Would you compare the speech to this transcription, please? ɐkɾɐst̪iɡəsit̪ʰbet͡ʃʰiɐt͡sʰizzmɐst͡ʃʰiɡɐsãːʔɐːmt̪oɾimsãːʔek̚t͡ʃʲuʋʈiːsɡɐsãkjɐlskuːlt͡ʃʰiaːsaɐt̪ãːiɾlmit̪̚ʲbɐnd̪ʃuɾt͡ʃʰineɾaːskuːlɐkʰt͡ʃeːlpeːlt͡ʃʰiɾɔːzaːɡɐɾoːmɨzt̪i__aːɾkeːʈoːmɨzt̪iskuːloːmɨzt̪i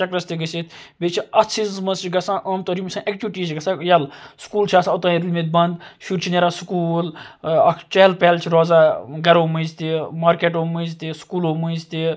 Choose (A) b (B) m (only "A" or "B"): B